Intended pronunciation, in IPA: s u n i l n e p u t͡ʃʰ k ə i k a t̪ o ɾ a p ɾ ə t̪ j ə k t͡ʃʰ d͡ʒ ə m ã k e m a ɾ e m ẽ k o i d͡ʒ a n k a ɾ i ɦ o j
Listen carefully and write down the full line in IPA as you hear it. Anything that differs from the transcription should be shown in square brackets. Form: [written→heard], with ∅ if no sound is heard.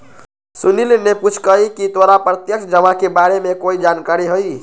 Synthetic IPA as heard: s u n i l n e p u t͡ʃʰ k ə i k [a→i] t̪ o ɾ a p ɾ ə t̪ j ə k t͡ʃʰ d͡ʒ ə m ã k e [m→b] a ɾ e m [ẽ→e] k o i d͡ʒ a n k a ɾ i ɦ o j